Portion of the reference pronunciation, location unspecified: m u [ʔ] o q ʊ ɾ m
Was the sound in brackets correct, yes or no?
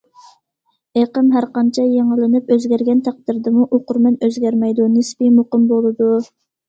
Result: yes